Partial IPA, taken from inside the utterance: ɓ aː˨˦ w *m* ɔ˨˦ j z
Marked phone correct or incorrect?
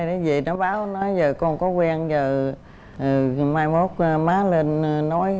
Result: incorrect